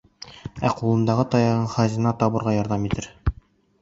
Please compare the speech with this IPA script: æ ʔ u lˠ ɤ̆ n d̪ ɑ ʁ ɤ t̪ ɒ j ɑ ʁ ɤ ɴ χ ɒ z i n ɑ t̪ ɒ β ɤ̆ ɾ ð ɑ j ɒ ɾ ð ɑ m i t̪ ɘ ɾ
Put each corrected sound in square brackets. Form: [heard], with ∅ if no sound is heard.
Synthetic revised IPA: æ [q] u lˠ ɤ̆ n d̪ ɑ ʁ ɤ t̪ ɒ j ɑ ʁ ɤ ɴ χ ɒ z i n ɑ t̪ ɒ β ɤ̆ ɾ [ʁ] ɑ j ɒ ɾ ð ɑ m i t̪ ɘ ɾ